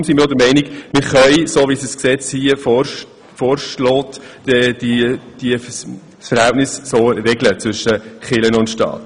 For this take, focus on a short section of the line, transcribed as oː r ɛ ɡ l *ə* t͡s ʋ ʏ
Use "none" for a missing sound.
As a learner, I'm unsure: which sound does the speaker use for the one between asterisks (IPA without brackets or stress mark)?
ə